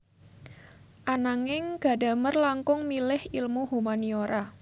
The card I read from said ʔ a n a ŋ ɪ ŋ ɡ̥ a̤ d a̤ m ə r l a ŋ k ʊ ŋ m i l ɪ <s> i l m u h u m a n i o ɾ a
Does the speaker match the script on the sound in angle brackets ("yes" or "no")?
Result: no